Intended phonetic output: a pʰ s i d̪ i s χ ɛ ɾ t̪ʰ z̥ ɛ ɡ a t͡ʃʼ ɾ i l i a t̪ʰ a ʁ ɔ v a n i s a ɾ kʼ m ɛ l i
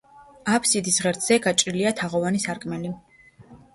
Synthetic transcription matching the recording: a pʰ s i d̪ i s ʁ ɛ ɾ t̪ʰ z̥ ɛ ɡ a t͡ʃʼ ɾ i l i a t̪ʰ a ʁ ɔ v a n i s a ɾ kʼ m ɛ l i